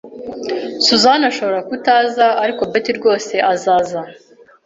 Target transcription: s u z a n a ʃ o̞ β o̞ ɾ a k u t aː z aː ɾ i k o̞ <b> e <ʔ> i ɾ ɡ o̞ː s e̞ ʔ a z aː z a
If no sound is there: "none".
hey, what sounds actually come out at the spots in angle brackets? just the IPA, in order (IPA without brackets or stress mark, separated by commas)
b, t